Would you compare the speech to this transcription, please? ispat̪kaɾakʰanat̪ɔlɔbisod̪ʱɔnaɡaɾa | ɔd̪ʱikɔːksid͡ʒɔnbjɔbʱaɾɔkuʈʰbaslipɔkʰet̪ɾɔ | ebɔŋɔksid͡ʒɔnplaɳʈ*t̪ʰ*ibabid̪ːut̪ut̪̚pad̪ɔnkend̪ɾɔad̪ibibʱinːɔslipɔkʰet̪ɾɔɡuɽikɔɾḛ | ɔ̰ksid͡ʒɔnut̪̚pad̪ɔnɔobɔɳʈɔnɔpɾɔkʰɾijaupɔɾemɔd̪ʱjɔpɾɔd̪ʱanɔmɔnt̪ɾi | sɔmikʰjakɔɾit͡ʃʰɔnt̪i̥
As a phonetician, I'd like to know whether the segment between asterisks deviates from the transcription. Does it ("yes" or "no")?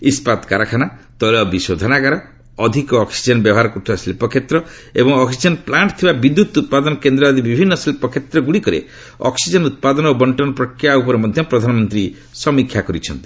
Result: no